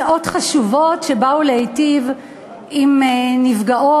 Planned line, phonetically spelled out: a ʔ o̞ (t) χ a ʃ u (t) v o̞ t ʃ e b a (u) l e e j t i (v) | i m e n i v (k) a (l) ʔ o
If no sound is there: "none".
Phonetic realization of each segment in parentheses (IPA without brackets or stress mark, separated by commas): t, none, u, v, ɡ, none